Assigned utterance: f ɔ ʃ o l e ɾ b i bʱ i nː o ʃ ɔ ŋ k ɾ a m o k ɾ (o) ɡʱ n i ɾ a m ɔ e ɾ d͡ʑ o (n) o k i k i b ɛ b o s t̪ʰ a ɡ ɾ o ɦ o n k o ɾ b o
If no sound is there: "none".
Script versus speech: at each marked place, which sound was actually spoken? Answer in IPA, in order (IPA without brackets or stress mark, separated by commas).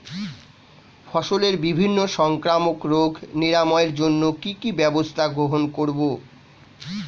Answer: o, nː